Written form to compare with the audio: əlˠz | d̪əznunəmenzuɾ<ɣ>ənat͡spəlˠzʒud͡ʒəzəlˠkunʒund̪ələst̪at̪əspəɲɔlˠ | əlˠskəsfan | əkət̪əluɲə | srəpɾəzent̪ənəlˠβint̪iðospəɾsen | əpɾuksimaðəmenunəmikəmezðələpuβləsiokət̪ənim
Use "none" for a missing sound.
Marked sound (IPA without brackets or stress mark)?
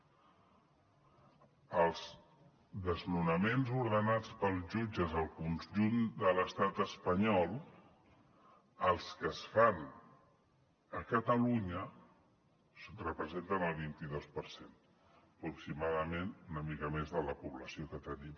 ð